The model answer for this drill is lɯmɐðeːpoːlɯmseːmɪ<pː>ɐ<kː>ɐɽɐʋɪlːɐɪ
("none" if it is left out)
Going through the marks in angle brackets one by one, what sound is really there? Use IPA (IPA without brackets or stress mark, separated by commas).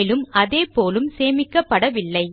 kː, pː